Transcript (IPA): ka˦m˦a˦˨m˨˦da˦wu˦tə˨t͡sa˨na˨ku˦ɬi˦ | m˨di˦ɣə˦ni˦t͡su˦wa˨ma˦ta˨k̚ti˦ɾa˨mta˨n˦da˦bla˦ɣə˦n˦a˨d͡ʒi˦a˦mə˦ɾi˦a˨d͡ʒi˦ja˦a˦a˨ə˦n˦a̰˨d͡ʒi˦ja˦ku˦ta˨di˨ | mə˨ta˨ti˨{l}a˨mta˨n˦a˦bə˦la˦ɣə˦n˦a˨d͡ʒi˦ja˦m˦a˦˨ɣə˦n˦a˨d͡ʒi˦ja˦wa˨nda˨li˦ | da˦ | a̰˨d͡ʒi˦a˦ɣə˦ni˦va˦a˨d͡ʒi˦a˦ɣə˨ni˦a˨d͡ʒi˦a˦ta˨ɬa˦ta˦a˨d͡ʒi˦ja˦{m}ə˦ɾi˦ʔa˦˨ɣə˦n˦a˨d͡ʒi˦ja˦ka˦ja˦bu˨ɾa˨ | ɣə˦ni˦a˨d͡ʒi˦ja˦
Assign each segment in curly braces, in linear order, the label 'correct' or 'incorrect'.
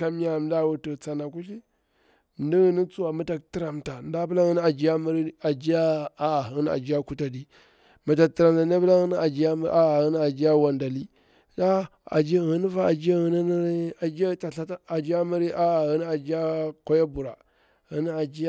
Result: incorrect: ɾ, correct

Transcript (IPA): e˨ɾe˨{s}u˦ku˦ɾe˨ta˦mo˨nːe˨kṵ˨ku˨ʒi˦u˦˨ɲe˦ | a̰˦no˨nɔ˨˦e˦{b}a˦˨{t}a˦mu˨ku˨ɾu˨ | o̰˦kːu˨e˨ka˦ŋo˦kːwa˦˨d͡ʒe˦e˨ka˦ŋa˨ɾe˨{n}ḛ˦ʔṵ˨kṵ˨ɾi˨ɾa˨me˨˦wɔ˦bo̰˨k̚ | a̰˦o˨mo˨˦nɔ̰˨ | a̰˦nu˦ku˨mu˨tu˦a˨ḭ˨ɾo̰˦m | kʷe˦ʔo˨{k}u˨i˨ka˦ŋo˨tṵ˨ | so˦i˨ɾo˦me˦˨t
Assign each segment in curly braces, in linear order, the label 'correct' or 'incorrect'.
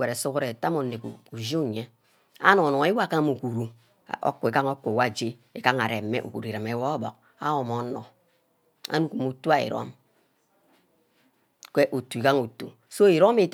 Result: correct, incorrect: w, incorrect: k, incorrect: m, incorrect: t

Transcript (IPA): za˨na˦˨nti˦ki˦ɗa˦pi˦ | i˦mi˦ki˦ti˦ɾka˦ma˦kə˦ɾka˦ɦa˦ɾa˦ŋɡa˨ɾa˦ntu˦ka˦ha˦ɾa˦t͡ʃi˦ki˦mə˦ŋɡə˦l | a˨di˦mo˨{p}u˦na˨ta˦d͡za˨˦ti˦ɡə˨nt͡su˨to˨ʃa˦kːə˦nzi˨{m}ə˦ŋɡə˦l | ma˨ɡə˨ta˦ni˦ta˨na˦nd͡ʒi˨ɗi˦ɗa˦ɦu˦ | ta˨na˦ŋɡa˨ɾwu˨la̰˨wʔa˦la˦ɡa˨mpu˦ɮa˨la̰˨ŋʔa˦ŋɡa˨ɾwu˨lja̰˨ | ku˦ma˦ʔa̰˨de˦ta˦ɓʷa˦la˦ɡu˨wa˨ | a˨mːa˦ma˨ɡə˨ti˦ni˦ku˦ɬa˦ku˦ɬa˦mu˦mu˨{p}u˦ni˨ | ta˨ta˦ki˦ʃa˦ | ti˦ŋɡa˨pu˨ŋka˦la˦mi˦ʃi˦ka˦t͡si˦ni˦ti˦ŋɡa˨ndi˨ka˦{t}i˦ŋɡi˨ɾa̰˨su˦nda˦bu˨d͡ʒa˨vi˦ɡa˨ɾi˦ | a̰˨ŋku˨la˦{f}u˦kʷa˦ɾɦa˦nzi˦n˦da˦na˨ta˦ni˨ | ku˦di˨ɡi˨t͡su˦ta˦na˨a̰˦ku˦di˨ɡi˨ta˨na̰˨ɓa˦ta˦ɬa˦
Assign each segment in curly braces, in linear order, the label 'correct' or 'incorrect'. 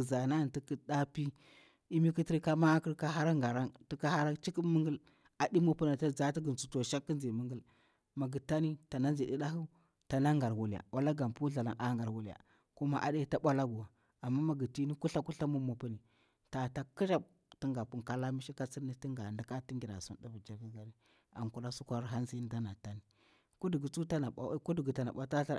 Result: correct, correct, correct, correct, incorrect: s

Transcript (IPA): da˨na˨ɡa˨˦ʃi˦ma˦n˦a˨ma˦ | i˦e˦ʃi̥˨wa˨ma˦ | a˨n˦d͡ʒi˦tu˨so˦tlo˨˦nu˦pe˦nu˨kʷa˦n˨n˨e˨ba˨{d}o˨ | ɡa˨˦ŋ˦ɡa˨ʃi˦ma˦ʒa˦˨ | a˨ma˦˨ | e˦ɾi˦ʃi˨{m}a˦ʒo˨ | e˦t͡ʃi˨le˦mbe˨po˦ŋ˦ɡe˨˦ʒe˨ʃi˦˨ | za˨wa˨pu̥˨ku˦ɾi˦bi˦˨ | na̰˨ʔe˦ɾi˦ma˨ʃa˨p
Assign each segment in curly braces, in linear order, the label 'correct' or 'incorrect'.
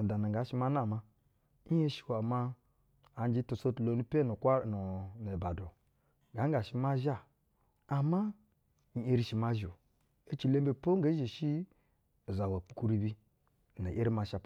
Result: correct, correct

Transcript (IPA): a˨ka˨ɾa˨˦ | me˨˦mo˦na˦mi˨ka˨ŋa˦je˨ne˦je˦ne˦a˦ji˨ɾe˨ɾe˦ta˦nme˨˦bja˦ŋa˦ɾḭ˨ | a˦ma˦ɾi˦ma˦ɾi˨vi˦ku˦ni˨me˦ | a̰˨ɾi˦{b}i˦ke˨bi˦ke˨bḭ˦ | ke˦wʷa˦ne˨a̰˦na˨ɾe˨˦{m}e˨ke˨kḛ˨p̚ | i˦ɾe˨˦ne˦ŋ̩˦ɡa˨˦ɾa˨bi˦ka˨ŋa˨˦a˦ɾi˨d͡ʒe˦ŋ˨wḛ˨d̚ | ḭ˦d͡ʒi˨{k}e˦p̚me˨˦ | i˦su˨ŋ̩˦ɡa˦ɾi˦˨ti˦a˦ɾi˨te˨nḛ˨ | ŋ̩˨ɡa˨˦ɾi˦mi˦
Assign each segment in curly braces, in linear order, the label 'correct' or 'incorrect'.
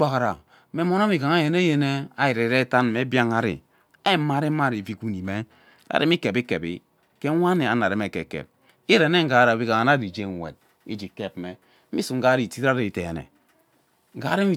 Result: incorrect: m, correct, correct

